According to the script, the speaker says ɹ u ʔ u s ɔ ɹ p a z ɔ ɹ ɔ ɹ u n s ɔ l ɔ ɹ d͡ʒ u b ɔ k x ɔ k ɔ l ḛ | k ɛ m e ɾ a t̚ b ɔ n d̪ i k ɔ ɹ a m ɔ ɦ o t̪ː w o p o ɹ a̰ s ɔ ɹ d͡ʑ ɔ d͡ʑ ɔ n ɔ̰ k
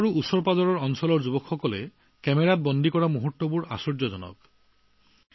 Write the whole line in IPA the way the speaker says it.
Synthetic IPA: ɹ u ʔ u s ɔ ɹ p a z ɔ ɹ ɔ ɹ ɔ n s ɔ l ɔ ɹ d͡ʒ u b ɔ k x ɔ k ɔ l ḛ | k ɛ m e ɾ a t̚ b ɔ n d̪ i k ɔ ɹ a m u ɦ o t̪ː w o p u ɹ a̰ s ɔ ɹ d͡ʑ ɔ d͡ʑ ɔ n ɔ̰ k